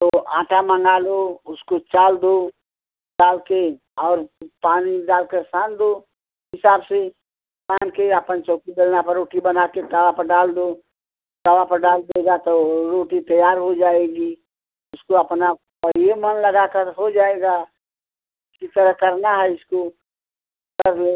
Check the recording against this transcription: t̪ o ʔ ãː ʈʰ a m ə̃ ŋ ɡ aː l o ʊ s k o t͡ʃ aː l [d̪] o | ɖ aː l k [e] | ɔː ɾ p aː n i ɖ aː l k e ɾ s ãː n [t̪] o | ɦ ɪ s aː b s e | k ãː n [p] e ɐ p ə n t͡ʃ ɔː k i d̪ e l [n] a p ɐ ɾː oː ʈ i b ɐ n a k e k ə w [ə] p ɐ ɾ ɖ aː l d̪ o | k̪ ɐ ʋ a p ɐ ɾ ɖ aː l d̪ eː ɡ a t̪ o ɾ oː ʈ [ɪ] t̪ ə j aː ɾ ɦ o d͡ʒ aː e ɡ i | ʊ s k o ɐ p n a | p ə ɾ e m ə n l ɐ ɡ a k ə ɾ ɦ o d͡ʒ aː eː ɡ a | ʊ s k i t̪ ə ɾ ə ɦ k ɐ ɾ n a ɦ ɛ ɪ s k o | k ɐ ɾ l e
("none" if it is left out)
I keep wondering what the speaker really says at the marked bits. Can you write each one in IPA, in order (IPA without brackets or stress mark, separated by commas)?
d̪, e, d̪, k, n, a, i